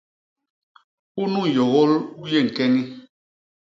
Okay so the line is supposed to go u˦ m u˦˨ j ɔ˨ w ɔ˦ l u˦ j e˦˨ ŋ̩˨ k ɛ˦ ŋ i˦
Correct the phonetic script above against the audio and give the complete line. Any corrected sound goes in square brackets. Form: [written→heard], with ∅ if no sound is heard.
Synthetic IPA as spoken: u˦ [m→n] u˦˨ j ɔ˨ [w→ɣ] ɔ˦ l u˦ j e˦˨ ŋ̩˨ k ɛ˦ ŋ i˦